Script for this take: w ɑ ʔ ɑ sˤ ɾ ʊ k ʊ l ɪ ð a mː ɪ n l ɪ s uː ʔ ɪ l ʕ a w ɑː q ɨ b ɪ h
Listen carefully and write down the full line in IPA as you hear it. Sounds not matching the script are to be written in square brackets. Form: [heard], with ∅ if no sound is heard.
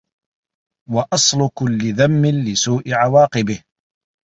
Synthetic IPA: w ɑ ʔ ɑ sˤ [l] ʊ k ʊ [lː] ɪ ð a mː ɪ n l ɪ s uː ʔ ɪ [∅] ʕ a w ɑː q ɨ b ɪ h